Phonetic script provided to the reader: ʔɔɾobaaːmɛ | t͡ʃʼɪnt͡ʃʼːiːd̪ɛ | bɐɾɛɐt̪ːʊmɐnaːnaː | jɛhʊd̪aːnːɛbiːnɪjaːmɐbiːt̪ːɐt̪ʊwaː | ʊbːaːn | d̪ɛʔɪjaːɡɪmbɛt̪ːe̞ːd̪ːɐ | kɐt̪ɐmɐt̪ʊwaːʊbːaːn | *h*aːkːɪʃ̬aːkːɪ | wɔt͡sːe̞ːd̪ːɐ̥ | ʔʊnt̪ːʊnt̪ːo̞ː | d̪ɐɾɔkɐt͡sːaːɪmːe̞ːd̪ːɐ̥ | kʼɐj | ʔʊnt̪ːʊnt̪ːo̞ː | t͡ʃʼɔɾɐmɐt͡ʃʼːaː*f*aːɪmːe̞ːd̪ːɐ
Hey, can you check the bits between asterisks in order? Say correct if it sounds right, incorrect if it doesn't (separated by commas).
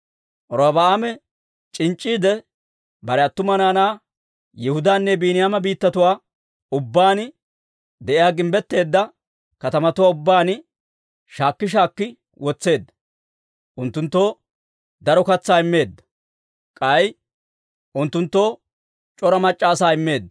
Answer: incorrect, incorrect